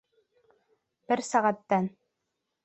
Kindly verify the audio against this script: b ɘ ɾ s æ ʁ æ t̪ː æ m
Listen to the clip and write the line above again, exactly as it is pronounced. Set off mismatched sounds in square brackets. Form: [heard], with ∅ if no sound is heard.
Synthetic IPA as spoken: b ɘ ɾ s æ ʁ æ t̪ː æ [n]